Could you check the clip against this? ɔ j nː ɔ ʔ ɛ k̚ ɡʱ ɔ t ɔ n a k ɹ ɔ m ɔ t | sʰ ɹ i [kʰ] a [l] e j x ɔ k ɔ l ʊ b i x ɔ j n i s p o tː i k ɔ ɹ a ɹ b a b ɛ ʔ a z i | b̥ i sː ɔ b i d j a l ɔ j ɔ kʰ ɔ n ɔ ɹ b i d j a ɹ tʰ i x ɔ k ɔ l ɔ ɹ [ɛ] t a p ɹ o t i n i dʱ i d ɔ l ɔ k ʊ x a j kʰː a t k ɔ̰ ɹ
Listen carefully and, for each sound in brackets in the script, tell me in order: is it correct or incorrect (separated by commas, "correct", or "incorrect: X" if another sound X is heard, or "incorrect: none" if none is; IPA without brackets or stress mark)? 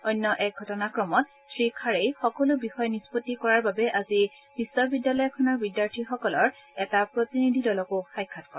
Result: correct, incorrect: ɹ, correct